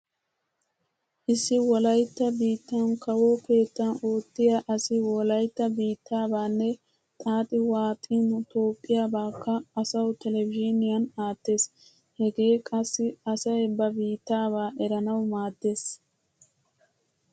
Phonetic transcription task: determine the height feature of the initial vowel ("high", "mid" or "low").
high